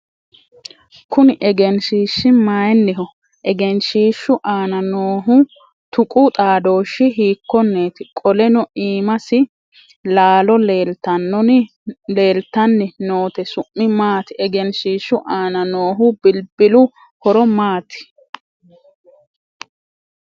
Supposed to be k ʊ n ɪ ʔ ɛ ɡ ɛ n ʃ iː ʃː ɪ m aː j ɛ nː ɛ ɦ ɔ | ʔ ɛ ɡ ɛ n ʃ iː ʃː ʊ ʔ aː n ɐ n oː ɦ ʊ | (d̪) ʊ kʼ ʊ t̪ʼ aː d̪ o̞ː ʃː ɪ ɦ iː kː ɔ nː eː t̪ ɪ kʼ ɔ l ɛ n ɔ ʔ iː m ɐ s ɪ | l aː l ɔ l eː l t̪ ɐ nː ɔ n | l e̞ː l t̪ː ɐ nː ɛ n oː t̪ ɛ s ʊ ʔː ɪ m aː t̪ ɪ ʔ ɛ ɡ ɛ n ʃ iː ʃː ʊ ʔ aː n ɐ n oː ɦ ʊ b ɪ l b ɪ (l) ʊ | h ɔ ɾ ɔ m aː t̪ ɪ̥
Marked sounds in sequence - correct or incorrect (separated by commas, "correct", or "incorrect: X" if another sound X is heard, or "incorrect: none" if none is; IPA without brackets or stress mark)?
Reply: incorrect: t̪, correct